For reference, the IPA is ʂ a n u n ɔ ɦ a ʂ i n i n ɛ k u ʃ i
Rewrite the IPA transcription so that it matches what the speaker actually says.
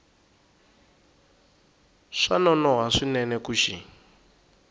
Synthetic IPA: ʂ a n ɔ n ɔ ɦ a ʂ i n ɛ n ɛ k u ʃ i